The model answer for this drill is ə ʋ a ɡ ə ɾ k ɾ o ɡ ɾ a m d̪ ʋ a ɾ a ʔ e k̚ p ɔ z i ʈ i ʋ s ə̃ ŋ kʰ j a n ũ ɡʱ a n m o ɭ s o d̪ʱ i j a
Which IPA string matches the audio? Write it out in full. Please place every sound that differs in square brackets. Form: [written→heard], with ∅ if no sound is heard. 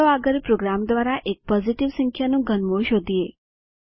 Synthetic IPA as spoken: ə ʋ a ɡ ə ɾ [k→p] ɾ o ɡ ɾ a m d̪ ʋ a ɾ a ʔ e k̚ p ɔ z i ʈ i ʋ s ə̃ ŋ kʰ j a n ũ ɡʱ [a→ə] n m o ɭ [s→ʃ] o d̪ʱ i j [a→e]